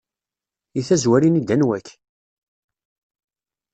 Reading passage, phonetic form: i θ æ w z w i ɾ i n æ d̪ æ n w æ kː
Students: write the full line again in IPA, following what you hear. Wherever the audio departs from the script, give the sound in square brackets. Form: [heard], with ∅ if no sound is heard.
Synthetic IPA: i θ æ [∅] z w [æ] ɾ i n [i] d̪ æ n w æ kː